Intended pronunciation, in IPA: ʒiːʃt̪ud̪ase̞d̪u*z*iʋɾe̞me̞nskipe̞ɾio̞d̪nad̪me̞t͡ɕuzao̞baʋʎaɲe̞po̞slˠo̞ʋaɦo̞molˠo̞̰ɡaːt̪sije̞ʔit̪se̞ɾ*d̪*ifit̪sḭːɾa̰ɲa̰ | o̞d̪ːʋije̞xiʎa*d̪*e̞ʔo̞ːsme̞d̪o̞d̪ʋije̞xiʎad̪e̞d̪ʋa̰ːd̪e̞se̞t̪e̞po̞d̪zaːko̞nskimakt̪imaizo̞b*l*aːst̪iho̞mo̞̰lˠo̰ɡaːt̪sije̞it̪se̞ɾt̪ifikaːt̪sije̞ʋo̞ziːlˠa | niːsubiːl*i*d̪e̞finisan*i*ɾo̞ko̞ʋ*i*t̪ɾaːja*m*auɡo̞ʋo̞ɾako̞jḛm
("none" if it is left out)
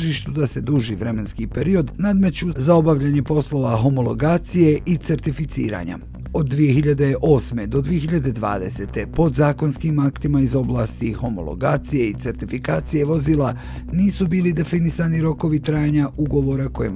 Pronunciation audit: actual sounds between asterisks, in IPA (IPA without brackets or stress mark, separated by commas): ʒ, t̪, d̪, l, i, i, i, ɲ